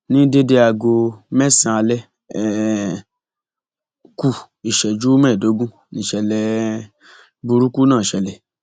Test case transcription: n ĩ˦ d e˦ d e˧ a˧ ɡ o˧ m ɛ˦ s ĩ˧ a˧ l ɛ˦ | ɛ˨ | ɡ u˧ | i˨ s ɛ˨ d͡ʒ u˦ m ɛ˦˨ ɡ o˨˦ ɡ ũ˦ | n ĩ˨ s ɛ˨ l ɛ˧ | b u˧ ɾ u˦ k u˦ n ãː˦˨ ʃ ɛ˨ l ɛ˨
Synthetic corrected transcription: n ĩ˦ d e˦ d e˧ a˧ ɡ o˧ m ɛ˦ s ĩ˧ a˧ l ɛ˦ | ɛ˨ | k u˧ | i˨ ʃ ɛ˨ d͡ʒ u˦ m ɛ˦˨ d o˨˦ ɡ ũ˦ | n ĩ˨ ʃ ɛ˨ l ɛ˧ | b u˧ ɾ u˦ k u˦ n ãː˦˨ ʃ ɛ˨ l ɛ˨